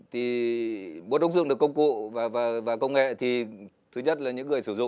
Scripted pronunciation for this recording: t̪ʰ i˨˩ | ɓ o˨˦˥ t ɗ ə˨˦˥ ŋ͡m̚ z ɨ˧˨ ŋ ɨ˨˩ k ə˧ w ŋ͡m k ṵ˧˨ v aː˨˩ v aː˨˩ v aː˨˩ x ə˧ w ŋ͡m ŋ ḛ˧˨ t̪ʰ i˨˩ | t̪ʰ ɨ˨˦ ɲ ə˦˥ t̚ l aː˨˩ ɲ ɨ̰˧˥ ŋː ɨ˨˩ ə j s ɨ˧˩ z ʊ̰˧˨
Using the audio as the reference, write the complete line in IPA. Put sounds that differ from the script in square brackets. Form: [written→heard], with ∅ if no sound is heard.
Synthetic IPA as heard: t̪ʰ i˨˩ | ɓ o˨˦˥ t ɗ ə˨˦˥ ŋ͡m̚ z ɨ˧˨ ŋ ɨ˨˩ k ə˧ w ŋ͡m k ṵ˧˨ v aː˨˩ v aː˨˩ v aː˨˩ [x→k] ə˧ w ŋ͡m ŋ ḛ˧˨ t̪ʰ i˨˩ | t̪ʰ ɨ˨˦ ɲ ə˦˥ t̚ l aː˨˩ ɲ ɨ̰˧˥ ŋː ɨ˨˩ ə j s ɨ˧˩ z ʊ̰˧˨